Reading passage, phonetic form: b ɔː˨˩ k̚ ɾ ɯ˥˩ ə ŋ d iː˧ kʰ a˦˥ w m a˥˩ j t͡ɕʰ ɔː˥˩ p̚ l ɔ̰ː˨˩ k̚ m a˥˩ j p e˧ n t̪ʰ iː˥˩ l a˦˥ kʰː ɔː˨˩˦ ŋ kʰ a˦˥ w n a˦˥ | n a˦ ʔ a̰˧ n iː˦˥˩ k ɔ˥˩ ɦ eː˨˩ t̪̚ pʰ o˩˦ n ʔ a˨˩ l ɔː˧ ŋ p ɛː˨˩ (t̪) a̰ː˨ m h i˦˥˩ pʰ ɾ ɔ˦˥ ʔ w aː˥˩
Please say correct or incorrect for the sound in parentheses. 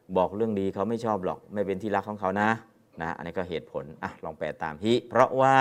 correct